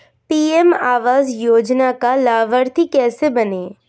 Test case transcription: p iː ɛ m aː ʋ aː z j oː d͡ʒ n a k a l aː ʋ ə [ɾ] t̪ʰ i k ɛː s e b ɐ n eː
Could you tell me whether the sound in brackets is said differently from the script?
no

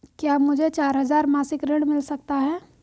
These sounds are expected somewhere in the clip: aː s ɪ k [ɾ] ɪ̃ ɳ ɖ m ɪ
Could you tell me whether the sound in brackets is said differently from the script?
no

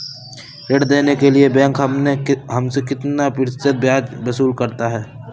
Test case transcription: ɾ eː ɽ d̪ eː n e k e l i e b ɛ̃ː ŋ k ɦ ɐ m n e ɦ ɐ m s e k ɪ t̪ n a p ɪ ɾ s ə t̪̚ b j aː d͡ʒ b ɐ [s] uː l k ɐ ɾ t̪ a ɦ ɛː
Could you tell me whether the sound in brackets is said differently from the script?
no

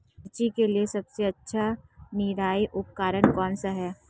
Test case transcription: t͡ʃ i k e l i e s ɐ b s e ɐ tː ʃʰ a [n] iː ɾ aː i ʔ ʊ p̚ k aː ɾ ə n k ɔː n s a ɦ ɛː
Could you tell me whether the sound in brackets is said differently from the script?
no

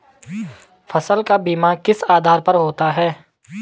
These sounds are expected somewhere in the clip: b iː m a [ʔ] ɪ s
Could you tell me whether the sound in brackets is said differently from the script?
yes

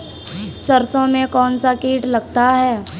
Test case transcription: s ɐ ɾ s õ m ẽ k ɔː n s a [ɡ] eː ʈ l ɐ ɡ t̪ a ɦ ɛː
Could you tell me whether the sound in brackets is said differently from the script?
yes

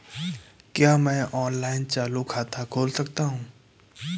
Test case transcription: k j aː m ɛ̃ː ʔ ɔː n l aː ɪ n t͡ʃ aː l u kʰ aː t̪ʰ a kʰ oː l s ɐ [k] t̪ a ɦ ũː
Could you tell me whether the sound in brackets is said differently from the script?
no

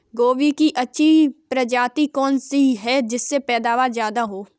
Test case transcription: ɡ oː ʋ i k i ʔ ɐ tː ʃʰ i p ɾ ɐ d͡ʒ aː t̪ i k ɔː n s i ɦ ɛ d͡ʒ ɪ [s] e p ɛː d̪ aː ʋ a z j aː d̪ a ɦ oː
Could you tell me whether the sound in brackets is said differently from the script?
yes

